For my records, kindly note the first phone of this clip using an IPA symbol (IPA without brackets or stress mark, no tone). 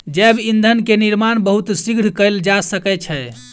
d͡ʒ